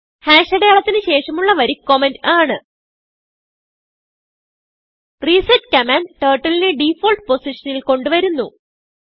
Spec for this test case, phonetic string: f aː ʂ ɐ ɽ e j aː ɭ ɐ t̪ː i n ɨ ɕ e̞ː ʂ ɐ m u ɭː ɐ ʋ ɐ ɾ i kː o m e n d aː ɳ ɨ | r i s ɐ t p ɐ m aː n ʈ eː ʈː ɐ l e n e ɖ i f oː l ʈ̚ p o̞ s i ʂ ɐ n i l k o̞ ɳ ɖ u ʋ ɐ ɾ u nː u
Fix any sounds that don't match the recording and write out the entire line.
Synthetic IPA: h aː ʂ ɐ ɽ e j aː ɭ ɐ t̪ː i n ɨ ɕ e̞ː ʂ ɐ m u ɭː ɐ ʋ ɐ ɾ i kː o m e n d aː ɳ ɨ | r i s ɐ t k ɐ m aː n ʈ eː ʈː ɐ l i n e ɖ i f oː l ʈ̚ p o̞ s i ʂ ɐ n i l k o̞ ɳ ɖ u ʋ ɐ ɾ u nː u